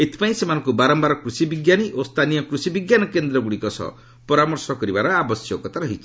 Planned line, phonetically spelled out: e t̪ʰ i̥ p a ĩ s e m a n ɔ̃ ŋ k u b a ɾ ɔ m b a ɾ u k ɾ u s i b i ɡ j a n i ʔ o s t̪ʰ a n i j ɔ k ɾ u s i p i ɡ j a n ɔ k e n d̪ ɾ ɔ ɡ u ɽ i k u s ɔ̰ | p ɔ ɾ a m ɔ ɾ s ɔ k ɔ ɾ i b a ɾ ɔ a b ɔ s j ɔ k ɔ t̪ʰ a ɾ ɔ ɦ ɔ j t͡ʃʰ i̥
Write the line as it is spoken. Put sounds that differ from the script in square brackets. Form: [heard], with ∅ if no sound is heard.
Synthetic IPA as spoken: e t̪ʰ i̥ p a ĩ s e m a n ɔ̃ ŋ k u b a ɾ ɔ m b a ɾ [ɔ] k ɾ u s i b i ɡ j a n i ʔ o s t̪ʰ a n i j ɔ k ɾ u s i [b] i ɡ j a n ɔ k e n d̪ ɾ ɔ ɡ u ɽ i k [ɔ] s ɔ̰ | p ɔ ɾ a m ɔ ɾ s ɔ k ɔ ɾ i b a ɾ ɔ a b ɔ s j ɔ k ɔ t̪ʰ a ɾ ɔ ɦ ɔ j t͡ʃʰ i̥